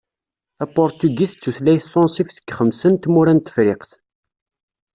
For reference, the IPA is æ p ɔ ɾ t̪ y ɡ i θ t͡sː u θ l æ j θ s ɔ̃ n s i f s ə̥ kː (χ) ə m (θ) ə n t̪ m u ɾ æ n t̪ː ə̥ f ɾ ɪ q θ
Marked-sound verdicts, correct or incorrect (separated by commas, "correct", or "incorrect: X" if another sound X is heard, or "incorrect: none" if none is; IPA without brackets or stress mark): correct, incorrect: s